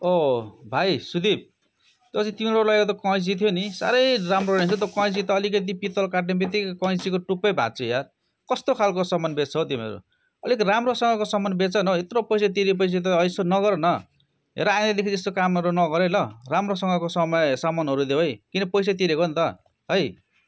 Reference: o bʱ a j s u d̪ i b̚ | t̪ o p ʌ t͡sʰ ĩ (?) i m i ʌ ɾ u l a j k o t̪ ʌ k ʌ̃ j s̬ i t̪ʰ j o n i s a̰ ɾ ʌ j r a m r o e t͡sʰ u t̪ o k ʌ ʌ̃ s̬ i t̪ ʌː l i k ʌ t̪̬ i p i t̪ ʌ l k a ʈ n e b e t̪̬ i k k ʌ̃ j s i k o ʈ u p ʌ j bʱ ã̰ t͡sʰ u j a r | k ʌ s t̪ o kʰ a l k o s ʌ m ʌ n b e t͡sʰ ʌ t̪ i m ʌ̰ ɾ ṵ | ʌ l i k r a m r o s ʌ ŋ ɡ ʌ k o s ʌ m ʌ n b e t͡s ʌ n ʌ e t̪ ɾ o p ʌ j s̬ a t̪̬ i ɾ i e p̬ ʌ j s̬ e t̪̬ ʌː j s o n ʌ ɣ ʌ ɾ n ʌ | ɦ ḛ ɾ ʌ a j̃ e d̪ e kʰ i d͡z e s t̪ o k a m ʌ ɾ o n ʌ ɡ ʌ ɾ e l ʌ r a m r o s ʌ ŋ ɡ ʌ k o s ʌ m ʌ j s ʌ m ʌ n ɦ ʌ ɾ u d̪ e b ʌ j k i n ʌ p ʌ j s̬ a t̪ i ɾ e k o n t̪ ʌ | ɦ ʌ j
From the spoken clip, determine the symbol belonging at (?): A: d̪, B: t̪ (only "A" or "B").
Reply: B